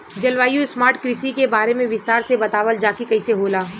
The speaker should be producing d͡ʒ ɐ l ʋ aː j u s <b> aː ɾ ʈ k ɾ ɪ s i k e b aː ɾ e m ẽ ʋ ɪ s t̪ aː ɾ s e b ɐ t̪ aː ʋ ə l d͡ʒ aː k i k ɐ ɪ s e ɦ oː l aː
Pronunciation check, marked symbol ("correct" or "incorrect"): incorrect